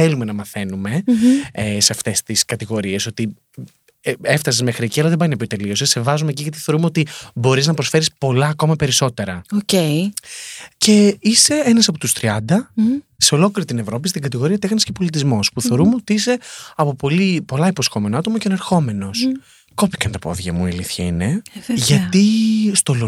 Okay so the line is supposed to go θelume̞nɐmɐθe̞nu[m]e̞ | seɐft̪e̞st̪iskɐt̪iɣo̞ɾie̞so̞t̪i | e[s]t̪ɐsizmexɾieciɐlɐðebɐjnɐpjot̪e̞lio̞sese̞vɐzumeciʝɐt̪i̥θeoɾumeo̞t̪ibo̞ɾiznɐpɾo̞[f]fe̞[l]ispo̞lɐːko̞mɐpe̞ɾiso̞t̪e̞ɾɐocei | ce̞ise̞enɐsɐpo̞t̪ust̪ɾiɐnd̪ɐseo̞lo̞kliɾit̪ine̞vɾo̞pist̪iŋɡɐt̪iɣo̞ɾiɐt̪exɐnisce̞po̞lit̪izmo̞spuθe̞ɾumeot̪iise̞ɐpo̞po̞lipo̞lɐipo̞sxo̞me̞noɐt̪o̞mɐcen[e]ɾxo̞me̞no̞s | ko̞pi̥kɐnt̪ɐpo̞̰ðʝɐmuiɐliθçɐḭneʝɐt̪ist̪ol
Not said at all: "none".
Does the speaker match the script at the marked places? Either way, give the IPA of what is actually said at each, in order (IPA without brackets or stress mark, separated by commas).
m, f, s, ɾ, e